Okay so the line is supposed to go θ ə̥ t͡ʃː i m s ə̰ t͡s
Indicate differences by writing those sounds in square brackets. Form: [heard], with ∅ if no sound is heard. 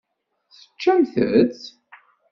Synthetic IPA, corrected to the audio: θ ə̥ t͡ʃː [æ] m [θ] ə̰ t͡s